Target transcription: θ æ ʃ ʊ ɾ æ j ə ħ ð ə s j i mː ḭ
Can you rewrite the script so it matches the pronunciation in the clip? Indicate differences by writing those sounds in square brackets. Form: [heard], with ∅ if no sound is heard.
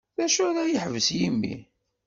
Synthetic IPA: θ æ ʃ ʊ ɾ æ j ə ħ [v] ə s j i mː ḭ